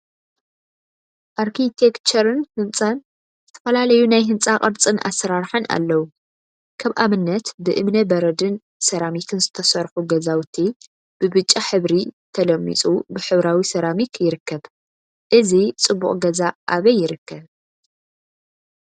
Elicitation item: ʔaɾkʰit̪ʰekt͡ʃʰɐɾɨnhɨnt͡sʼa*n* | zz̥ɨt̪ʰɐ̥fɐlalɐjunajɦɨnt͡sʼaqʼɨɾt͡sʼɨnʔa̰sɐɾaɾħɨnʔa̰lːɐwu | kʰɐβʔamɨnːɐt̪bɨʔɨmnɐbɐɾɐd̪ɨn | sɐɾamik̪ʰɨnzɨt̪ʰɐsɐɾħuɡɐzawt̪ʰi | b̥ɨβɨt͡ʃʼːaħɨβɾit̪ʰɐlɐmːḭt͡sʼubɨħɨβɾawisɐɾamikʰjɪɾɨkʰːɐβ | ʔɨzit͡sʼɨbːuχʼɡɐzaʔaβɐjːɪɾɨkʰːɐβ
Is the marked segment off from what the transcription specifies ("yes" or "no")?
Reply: no